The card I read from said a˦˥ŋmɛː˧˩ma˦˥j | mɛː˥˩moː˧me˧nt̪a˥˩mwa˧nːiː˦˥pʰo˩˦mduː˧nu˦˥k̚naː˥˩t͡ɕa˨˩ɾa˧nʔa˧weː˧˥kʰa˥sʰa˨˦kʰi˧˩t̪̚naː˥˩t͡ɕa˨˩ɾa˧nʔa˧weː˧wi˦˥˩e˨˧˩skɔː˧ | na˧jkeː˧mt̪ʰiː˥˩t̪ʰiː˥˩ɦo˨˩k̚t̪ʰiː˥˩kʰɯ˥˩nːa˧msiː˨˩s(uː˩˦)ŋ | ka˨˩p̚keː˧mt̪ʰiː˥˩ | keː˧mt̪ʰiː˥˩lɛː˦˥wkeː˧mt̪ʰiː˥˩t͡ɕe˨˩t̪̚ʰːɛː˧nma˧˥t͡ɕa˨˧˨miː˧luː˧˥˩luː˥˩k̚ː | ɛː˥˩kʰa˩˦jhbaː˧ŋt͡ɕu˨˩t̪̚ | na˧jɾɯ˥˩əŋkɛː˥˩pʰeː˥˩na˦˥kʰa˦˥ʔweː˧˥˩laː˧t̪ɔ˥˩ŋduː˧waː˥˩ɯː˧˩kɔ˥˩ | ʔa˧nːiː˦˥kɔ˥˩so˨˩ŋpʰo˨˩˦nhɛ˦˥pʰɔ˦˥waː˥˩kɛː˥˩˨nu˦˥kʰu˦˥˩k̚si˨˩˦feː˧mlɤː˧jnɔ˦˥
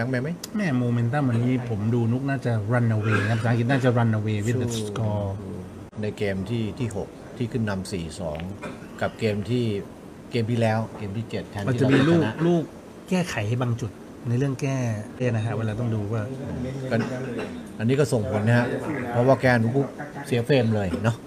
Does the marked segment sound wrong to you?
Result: yes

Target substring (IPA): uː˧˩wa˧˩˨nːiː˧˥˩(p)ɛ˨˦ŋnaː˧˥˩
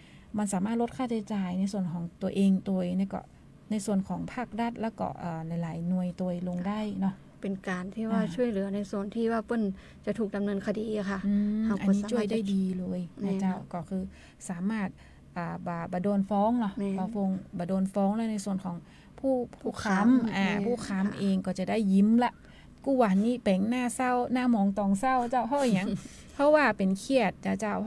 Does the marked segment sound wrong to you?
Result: no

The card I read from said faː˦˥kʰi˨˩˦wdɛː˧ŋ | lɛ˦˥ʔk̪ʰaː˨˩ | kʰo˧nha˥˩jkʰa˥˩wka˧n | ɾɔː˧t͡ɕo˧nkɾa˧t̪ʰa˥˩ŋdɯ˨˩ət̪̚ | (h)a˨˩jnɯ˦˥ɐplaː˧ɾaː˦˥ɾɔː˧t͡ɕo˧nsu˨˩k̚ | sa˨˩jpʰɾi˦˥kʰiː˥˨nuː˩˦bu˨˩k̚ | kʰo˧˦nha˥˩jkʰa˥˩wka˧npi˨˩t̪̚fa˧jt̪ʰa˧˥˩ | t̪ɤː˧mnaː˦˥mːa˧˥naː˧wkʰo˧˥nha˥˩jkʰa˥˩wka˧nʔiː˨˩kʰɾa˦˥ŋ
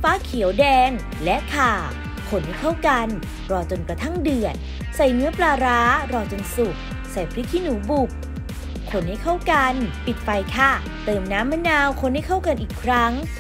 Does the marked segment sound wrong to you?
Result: yes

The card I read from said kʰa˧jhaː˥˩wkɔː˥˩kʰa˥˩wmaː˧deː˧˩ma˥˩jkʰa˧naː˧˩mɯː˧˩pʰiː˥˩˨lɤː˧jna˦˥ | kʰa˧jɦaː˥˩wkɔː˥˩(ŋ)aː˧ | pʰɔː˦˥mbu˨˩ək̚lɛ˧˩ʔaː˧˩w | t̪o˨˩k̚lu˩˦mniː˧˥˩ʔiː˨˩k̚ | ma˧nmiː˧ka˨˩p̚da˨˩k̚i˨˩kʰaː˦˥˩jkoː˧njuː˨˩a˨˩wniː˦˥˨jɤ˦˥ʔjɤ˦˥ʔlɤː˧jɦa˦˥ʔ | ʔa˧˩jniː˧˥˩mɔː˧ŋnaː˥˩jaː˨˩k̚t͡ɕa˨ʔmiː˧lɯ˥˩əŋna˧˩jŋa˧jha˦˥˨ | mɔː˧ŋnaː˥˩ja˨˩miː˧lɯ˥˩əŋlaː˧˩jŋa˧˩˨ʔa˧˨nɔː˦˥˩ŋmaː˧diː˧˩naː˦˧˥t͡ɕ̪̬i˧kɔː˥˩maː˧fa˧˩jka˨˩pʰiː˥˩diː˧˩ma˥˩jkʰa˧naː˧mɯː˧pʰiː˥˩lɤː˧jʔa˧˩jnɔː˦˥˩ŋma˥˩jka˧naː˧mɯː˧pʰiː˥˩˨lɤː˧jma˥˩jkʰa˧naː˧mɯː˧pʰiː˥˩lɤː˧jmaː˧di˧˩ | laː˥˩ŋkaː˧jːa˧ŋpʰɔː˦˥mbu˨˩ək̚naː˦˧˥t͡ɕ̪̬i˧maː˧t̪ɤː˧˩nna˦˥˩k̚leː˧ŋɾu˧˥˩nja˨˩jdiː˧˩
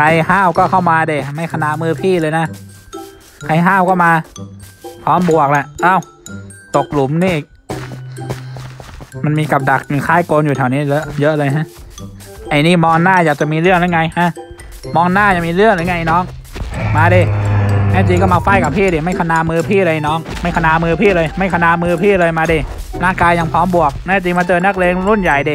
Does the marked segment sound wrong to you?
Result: yes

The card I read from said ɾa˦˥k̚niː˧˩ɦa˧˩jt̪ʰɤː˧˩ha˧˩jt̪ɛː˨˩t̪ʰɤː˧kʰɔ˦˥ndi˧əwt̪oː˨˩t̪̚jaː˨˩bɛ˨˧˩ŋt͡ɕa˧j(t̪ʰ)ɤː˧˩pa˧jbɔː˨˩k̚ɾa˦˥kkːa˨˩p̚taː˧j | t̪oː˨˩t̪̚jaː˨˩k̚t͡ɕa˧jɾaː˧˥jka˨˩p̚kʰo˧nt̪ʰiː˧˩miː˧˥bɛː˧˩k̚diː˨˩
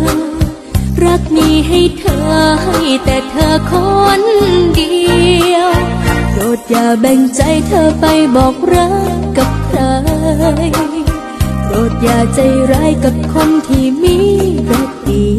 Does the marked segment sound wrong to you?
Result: no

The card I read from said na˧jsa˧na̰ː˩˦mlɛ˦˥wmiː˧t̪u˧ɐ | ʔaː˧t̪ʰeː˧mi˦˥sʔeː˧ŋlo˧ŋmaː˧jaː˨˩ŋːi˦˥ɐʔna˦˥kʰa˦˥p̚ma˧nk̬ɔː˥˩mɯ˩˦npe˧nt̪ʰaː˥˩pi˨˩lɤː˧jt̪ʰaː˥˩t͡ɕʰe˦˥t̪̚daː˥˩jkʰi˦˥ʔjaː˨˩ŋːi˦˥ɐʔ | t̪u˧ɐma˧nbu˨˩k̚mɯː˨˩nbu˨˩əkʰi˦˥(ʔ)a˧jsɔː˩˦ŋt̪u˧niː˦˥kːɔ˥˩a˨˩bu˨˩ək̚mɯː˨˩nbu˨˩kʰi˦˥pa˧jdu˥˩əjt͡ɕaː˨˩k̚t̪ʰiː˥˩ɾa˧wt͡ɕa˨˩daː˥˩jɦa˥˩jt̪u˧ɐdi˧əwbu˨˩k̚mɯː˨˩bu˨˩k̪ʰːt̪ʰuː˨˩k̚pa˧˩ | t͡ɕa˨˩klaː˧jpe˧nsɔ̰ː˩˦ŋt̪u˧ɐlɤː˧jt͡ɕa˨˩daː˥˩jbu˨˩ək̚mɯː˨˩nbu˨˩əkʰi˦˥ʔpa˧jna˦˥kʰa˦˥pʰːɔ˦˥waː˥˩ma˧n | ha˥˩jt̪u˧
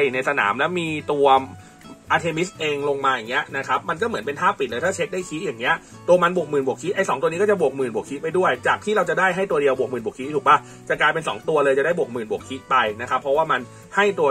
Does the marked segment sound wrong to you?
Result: no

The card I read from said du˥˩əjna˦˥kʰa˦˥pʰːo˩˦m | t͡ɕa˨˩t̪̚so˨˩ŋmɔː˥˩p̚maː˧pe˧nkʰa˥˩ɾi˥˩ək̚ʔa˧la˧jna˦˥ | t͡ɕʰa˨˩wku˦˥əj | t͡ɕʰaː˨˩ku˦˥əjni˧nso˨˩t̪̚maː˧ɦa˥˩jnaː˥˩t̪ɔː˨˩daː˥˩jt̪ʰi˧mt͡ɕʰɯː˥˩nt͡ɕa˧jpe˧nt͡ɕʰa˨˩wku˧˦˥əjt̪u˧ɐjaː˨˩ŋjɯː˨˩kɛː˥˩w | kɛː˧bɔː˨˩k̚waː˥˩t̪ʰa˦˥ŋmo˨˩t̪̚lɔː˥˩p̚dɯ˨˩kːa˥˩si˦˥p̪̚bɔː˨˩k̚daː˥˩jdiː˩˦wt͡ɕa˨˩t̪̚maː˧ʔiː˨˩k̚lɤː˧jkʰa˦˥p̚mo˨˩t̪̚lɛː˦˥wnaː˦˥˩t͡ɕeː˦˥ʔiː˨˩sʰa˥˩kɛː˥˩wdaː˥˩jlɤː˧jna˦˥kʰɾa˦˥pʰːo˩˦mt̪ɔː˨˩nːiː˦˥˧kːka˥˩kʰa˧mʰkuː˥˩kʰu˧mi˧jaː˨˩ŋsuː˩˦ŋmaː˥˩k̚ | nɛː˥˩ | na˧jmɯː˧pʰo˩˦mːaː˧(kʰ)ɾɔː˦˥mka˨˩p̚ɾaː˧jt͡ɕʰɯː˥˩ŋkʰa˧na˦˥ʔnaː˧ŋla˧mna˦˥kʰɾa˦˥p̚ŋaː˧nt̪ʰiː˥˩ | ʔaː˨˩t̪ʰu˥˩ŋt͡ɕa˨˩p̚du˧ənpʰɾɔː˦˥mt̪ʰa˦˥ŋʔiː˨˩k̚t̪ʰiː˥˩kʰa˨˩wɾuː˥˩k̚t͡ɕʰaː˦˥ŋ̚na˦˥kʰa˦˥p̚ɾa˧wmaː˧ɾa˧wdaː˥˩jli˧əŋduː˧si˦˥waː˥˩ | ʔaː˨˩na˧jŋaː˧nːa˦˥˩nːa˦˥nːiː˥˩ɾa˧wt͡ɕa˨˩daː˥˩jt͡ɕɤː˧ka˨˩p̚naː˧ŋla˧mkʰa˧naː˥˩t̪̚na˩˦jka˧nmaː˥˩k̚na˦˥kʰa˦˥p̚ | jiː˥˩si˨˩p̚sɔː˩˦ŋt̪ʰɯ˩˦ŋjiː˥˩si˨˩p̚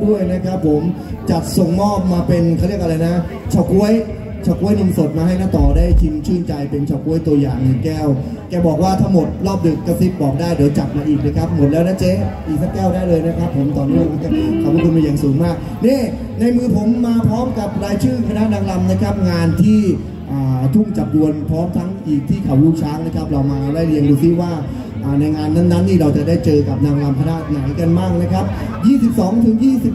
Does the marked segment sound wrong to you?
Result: yes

